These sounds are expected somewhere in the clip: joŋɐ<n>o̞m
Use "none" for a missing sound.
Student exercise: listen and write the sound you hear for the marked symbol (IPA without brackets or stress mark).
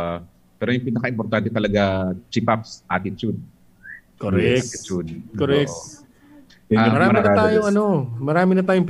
n